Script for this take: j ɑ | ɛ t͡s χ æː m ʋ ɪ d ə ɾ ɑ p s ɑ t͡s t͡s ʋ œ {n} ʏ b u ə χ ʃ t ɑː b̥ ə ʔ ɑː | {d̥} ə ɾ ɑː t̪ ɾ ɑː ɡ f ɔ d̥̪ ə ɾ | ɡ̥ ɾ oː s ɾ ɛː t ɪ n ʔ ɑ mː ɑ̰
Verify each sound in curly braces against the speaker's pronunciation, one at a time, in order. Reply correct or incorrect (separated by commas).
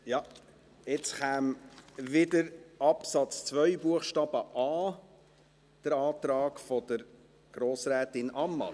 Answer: incorrect, correct